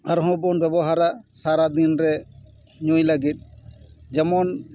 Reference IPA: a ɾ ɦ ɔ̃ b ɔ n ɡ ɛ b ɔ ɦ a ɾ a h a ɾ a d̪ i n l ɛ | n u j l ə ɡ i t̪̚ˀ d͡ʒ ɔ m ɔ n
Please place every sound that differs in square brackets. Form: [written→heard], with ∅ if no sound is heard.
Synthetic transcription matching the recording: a ɾ ɦ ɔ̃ b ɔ n [ɡ→b] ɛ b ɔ ɦ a ɾ a [h→s] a ɾ a d̪ i n [l→ɾ] ɛ | [n→ɲ] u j l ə ɡ i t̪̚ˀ d͡ʒ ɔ m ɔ n